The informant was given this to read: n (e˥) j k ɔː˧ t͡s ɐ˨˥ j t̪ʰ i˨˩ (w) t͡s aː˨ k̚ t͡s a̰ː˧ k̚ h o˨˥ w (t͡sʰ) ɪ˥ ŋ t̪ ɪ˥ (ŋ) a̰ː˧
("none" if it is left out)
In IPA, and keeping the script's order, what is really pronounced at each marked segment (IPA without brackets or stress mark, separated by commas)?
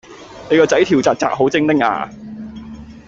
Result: e˨˧, w, t͡s, ŋ